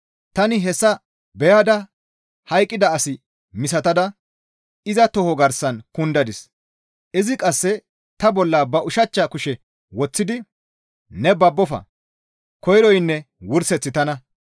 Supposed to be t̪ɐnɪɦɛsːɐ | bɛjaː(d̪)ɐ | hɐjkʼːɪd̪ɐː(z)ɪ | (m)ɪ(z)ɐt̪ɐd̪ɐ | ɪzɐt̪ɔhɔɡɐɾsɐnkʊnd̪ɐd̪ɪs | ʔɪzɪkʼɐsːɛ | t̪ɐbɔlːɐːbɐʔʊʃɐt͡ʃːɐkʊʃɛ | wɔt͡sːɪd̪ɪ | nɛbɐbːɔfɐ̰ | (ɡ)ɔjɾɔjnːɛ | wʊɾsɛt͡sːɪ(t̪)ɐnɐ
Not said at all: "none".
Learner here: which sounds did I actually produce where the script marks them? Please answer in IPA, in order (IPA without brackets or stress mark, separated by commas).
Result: d̪, s, m, s, k, t̪